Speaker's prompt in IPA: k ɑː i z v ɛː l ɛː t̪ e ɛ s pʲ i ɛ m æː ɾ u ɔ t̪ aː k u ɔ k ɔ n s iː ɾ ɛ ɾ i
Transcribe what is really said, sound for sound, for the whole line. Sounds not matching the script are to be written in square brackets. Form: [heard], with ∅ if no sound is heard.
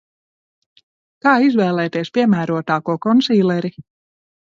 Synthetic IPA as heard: k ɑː i z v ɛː l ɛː t̪ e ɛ s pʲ i ɛ m æː ɾ u ɔ t̪ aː k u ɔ k ɔ n s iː [l] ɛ ɾ i